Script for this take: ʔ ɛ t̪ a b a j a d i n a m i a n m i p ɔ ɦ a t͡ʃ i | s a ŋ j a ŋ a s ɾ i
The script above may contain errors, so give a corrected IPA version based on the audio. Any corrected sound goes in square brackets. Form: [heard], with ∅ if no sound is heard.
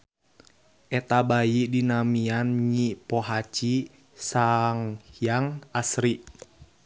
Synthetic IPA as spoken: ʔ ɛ t̪ a b a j [i] d i n a m i a n [ɲ] i p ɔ ɦ a t͡ʃ i | s a ŋ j a ŋ a s ɾ i